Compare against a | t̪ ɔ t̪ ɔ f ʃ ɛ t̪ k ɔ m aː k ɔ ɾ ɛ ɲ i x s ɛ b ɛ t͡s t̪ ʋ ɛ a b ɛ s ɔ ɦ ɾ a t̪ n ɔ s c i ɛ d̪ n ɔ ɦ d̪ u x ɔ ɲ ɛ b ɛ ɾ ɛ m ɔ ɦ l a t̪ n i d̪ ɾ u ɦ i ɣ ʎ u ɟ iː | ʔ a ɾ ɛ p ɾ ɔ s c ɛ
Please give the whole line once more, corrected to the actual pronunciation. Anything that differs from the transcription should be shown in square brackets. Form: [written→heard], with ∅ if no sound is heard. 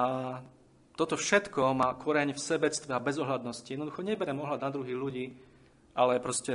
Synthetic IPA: a | t̪ ɔ t̪ ɔ f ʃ ɛ t̪ k ɔ m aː k ɔ ɾ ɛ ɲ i [x→f] s ɛ b ɛ t͡s t̪ ʋ ɛ a b ɛ [s→z] ɔ ɦ [ɾ→l] a [t̪→d̪] n ɔ s c i ɛ d̪ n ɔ [ɦ→∅] d̪ u x ɔ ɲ ɛ b ɛ ɾ ɛ m ɔ ɦ l a [t̪→d̪] n [i→a] d̪ ɾ u ɦ i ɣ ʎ u ɟ iː | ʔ a [ɾ→l] ɛ p ɾ ɔ s c ɛ